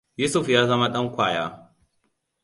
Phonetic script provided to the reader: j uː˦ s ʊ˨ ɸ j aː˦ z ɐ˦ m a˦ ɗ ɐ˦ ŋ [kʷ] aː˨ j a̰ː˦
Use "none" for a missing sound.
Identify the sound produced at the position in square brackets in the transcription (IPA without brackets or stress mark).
kʷ